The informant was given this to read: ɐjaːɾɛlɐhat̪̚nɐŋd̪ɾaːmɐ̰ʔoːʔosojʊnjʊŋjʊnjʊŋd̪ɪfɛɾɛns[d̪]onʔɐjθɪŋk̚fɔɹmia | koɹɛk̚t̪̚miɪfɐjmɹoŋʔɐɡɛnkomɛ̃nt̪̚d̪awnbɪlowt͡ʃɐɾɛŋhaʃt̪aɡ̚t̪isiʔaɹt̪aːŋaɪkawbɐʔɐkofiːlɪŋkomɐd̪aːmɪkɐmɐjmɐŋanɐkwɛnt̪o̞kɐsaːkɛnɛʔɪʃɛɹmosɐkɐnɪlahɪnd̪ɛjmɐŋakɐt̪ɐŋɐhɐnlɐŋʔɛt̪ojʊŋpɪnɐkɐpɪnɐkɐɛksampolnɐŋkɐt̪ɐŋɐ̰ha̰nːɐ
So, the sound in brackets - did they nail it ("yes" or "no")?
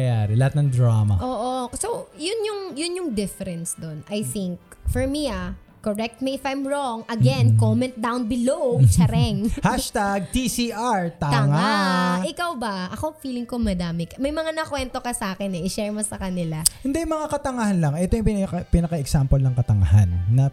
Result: yes